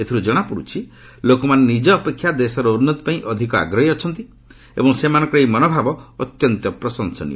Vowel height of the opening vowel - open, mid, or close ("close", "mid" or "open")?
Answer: mid